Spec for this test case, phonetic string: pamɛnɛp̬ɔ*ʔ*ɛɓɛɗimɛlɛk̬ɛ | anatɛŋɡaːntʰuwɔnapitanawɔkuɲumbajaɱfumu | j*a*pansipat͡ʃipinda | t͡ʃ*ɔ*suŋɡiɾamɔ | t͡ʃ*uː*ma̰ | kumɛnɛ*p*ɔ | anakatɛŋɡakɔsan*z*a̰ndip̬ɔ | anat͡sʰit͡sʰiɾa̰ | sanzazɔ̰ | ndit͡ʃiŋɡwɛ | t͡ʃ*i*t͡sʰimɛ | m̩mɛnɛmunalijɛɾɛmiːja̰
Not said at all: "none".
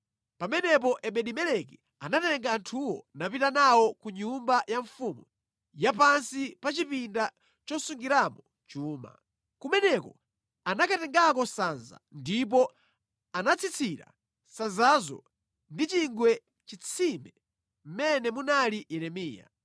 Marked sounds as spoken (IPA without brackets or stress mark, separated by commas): ʔ, a, ɔ, uː, k, z, i